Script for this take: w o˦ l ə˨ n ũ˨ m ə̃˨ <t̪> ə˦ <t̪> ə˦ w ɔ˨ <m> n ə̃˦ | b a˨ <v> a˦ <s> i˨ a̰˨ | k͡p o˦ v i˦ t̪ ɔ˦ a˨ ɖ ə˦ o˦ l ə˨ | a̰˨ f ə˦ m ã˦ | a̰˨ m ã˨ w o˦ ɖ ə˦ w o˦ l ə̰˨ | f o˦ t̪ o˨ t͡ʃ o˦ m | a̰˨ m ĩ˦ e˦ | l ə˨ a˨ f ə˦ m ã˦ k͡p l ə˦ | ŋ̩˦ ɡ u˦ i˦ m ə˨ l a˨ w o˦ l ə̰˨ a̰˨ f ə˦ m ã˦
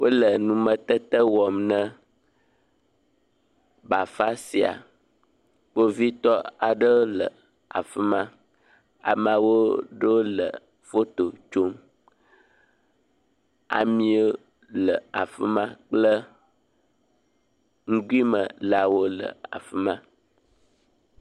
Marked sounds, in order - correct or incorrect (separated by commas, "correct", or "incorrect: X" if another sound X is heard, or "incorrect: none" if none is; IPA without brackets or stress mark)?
correct, correct, correct, incorrect: f, correct